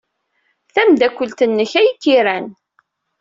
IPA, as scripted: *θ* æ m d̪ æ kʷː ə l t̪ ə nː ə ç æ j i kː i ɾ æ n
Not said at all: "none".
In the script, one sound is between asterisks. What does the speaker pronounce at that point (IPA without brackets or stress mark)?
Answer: θ